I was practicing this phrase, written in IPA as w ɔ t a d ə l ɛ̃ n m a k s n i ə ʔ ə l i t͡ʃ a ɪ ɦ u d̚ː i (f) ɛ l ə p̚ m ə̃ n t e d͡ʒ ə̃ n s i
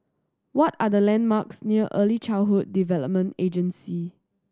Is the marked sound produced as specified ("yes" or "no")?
no